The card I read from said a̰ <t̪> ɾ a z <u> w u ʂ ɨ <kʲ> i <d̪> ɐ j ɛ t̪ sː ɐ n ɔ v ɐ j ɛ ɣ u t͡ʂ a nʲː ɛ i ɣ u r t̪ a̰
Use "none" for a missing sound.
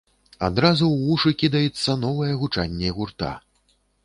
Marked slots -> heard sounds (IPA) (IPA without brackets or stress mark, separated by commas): d̪, u, kʲ, d̪